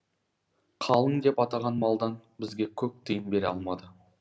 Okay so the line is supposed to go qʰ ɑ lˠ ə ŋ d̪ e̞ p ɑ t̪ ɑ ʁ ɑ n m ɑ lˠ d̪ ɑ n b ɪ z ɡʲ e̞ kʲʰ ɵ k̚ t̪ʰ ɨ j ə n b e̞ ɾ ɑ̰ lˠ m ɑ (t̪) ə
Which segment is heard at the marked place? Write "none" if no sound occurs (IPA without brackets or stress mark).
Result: d̪